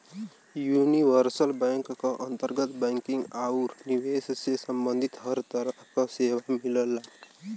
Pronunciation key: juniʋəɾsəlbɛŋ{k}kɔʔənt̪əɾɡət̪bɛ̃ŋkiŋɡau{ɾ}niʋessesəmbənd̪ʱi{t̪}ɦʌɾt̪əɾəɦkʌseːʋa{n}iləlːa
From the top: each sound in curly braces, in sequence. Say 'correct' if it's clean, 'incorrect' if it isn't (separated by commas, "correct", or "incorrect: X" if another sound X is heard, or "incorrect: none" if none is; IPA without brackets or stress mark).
correct, correct, correct, incorrect: m